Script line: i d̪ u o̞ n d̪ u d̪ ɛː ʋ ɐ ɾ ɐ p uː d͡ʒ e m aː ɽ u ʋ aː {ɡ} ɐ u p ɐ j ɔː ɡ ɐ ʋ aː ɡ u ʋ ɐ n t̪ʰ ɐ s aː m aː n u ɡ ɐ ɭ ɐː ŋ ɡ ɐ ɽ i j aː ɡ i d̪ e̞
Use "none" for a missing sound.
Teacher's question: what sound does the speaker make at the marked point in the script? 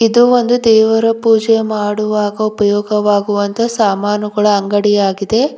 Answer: ɡ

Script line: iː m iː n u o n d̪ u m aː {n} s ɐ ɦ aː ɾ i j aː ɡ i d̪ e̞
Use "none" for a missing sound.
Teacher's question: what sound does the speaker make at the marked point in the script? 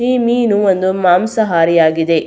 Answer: m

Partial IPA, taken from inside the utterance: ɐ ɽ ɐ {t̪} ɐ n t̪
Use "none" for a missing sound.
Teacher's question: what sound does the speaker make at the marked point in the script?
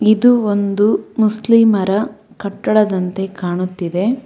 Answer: d̪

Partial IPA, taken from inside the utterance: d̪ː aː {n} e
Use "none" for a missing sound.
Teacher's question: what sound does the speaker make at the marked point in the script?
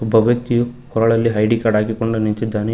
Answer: n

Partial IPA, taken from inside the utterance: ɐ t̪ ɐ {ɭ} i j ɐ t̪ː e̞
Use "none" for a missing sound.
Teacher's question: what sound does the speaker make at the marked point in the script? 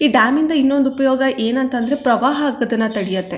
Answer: ɽ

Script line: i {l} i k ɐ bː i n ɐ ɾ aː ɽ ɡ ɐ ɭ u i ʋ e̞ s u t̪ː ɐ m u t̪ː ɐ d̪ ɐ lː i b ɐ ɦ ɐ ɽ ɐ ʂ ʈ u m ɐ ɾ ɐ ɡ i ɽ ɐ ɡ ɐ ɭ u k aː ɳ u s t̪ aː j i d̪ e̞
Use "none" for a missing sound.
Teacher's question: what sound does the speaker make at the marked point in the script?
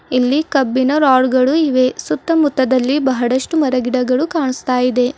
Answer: lː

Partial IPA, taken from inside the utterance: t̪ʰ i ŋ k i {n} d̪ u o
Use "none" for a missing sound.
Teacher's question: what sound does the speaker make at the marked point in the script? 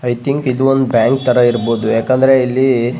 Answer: none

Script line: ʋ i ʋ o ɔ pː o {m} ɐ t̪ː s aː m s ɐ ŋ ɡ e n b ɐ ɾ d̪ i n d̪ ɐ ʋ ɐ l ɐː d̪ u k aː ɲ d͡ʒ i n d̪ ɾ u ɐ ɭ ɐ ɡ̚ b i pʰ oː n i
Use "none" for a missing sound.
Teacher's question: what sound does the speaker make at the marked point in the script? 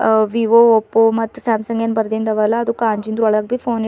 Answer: m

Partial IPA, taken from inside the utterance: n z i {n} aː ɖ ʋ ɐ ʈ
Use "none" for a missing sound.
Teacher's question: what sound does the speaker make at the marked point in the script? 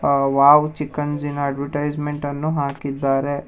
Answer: n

